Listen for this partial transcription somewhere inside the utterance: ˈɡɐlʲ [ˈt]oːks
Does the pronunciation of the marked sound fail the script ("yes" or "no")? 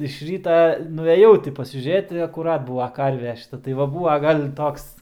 no